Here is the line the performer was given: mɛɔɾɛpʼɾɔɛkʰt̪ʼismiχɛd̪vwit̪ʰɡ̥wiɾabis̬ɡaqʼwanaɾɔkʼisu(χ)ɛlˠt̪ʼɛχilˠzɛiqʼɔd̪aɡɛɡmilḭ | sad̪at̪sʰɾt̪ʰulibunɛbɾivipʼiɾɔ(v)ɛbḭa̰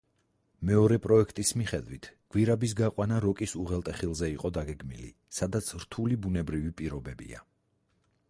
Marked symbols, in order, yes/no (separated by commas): no, no